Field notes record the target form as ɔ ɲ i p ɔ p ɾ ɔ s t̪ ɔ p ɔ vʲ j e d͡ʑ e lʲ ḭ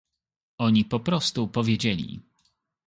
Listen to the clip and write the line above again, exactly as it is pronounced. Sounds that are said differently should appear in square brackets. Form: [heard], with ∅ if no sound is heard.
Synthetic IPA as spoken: ɔ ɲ i p ɔ p ɾ ɔ s t̪ [u] p ɔ vʲ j e d͡ʑ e lʲ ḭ